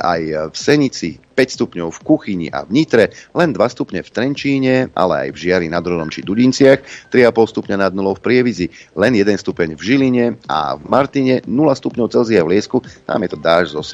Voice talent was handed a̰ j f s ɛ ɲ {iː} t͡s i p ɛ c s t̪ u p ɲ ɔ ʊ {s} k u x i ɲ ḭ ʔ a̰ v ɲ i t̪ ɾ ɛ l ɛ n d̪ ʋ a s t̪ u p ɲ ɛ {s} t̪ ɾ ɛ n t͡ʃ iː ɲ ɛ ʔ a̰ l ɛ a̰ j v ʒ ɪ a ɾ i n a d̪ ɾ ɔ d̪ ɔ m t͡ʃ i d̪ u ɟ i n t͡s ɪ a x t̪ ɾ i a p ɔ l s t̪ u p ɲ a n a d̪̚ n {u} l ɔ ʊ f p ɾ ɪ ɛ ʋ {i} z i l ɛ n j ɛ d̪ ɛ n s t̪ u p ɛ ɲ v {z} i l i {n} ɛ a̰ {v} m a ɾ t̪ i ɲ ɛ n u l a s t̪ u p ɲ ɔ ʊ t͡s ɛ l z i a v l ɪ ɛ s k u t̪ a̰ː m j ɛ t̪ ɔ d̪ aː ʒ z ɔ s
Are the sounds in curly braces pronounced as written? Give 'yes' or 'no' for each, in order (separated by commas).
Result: no, no, no, yes, yes, no, no, yes